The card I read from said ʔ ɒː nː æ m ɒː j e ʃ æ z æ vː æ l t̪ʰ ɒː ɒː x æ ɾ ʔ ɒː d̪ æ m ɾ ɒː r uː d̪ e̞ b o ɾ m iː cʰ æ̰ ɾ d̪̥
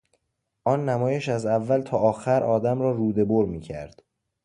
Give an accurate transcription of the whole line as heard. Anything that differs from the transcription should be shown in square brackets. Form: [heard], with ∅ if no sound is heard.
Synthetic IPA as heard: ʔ ɒː nː æ m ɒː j e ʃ æ z æ vː æ l t̪ʰ ɒː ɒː x æ ɾ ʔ ɒː d̪ æ m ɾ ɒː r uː d̪ e̞ b o ɾ m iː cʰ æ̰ ɾ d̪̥